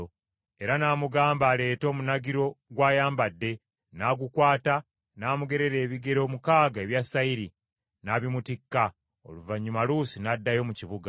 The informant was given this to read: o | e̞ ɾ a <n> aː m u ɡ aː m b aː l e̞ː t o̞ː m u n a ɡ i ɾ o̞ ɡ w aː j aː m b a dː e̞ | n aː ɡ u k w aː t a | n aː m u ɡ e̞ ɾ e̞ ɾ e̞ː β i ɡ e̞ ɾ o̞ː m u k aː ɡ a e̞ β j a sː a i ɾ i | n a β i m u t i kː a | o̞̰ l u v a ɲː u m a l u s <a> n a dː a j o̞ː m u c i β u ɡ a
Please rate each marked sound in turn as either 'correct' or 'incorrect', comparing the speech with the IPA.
correct, incorrect: i

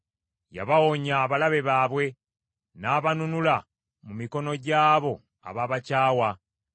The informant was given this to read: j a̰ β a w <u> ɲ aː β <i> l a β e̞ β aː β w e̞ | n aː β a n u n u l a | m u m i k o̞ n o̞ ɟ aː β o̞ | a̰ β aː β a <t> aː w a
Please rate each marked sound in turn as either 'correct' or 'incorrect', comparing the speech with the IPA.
incorrect: o, incorrect: a, incorrect: c

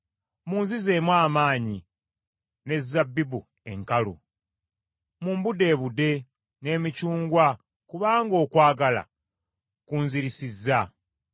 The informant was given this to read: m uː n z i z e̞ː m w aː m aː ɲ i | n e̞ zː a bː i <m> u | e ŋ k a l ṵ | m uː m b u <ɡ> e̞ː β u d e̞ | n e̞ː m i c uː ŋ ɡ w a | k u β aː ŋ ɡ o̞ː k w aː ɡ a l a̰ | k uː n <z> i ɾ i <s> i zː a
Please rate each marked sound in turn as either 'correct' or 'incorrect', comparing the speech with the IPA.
incorrect: b, incorrect: d, correct, correct

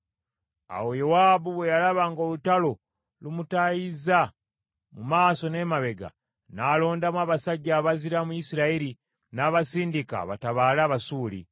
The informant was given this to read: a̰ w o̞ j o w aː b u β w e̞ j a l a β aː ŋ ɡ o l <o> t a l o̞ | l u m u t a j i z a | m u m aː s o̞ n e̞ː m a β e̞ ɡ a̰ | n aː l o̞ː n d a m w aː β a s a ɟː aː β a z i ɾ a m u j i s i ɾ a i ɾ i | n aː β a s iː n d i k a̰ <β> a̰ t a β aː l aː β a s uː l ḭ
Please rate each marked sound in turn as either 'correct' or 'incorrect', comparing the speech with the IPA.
incorrect: u, correct

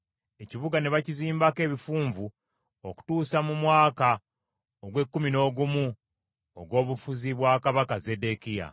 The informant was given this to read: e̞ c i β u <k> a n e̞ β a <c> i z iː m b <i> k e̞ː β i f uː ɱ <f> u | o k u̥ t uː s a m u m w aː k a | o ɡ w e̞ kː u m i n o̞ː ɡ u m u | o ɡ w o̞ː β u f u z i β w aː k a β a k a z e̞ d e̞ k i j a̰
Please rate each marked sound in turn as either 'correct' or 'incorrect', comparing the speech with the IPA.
incorrect: ɡ, correct, incorrect: a, incorrect: v

